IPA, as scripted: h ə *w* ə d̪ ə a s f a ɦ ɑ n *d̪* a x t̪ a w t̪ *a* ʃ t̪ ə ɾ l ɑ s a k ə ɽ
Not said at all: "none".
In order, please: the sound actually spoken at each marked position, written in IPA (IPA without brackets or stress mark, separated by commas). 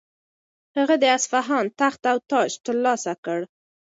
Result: ɣ, t̪, ɑ